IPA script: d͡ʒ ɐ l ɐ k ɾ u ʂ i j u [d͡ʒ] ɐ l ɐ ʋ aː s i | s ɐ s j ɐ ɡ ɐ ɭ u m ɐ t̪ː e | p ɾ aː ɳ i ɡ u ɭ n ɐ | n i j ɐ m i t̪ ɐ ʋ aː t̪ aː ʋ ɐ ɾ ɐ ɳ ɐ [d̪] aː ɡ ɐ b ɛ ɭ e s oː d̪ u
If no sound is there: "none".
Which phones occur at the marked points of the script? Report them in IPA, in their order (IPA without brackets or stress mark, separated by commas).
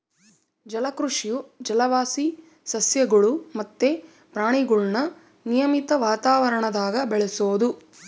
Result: d͡ʒ, d̪